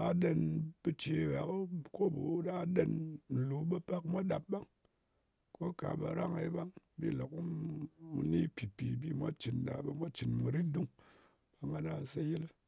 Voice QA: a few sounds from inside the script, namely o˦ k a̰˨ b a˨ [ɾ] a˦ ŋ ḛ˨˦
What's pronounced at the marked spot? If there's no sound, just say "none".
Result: ɾ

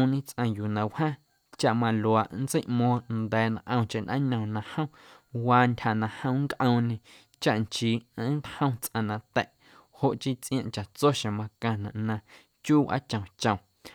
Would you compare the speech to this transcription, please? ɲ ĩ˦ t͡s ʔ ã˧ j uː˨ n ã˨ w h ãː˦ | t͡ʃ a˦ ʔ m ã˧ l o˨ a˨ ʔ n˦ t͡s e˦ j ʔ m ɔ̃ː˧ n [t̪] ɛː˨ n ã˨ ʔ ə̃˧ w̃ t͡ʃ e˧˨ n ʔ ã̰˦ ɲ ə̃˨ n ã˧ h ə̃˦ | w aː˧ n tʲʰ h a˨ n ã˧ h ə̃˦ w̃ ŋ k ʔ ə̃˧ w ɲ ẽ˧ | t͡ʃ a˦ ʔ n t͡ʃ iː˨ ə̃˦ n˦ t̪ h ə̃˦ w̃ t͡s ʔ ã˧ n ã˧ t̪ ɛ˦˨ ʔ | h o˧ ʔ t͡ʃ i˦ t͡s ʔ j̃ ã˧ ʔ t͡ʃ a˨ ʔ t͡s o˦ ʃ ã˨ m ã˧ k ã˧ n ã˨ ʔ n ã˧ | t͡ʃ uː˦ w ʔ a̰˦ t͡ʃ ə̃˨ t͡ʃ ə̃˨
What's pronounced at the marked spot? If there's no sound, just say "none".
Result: d̪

